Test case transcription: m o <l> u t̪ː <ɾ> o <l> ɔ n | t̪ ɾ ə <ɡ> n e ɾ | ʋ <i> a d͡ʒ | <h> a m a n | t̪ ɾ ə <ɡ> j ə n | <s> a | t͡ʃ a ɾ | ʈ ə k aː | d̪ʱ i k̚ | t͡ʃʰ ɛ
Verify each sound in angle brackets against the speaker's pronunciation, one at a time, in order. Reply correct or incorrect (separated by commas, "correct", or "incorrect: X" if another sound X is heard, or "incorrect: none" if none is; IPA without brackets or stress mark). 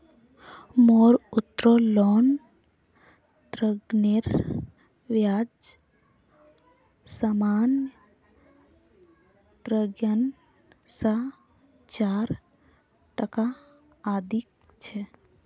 incorrect: ɾ, correct, correct, correct, incorrect: j, incorrect: s, correct, correct